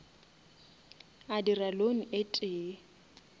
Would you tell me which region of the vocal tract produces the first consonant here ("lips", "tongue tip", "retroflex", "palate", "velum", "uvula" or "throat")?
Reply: tongue tip